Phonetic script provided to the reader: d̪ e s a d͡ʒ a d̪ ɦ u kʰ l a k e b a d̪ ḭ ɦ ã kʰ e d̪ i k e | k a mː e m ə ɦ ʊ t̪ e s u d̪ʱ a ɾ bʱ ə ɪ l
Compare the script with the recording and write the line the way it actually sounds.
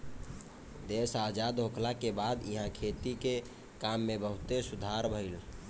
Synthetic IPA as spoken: d̪ e s a d͡ʒ a d̪ ɦ o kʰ l a k e b a d̪ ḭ ɦ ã kʰ e t̪ i k e | k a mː e b ə ɦ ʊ t̪ e s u d̪ʱ a ɾ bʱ ə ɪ l